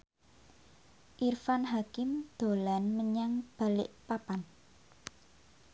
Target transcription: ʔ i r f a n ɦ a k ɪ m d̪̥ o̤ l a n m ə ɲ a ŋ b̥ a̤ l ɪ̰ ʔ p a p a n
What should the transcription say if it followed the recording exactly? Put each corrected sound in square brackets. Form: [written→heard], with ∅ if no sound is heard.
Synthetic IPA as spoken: ʔ i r f a n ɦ a k ɪ m d̪̥ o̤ l a n m ə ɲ a ŋ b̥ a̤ l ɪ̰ ʔ p a p a n